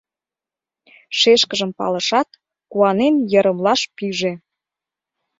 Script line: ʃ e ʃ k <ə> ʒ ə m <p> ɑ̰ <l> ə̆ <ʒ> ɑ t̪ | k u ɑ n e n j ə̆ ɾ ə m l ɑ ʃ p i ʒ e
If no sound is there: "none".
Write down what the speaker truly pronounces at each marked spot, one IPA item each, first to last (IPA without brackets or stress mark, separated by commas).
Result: ə, p, l, ʃ